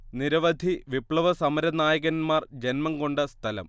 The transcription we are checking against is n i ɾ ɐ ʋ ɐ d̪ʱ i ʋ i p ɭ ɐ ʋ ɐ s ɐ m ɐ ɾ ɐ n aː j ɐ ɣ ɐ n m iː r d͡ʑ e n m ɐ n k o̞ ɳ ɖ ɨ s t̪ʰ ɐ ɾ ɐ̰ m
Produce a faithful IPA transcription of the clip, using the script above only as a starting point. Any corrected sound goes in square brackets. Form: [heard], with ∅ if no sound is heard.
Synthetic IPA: n i ɾ ɐ ʋ ɐ d̪ʱ i ʋ i p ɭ ɐ ʋ ɐ s ɐ m ɐ ɾ ɐ n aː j ɐ ɣ ɐ n m [aː] r d͡ʑ e n m ɐ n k o̞ ɳ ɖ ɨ s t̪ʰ ɐ [l] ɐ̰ m